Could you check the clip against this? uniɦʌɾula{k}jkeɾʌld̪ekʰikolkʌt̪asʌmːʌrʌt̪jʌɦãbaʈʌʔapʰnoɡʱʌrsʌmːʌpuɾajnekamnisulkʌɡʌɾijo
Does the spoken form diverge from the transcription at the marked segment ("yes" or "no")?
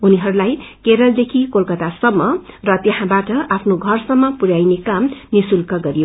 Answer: yes